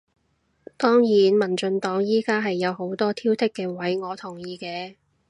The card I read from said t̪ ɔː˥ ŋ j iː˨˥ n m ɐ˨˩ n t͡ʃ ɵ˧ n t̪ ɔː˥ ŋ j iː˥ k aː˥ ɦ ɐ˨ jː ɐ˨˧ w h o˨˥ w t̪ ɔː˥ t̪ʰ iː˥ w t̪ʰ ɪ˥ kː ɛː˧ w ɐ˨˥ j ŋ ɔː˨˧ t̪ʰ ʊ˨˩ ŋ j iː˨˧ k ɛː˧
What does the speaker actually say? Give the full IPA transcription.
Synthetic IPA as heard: t̪ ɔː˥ ŋ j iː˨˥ n m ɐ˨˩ n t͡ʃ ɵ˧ n t̪ ɔː˨˥ ŋ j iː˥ k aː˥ ɦ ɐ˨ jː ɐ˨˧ w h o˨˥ w t̪ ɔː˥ t̪ʰ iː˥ w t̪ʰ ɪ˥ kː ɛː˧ w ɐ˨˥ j ŋ ɔː˨˧ t̪ʰ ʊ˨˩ ŋ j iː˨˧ k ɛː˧